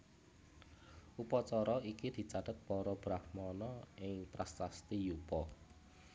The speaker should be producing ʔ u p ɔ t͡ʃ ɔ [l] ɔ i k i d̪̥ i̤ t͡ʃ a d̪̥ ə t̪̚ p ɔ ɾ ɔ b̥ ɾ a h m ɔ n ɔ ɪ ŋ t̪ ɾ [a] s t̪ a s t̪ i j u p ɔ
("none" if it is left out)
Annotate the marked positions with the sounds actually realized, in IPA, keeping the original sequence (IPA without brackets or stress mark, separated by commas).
ɾ, a